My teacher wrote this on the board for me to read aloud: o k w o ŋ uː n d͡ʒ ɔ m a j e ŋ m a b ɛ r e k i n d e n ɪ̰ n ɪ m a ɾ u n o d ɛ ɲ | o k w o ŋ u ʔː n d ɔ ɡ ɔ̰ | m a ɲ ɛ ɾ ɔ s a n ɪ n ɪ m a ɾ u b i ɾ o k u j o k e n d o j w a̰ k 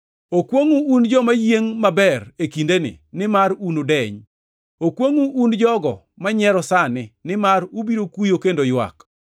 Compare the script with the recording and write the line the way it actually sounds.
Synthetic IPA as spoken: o k w o ŋ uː n d͡ʒ ɔ m a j e ŋ m a b ɛ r e k i n d e n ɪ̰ n ɪ m a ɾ u n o d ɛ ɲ | o k w o ŋ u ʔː n d͡ʒ ɔ ɡ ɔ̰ | m a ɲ ɛ ɾ ɔ s a n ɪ n ɪ m a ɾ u b i ɾ o k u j o k e n d o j w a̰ k